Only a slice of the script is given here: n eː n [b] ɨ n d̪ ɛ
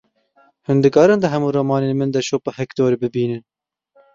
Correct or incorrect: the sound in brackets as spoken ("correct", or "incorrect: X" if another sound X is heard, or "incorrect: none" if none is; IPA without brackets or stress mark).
incorrect: m